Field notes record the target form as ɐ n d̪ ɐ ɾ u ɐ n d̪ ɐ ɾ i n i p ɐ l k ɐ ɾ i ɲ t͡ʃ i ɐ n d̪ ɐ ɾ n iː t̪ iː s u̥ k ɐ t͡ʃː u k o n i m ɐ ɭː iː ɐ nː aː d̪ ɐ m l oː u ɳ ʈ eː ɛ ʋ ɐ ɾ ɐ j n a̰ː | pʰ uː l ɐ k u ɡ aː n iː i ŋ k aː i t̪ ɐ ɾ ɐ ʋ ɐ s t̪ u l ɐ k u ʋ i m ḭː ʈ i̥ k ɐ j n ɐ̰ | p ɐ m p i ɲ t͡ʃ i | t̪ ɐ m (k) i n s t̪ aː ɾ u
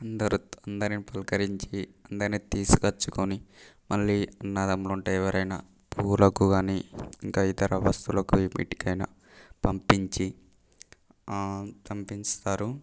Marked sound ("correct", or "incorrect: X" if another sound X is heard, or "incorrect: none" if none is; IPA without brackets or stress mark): incorrect: p